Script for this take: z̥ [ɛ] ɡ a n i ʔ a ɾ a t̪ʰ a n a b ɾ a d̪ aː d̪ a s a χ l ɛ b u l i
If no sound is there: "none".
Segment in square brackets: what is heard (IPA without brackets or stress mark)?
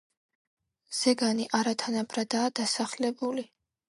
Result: ɛ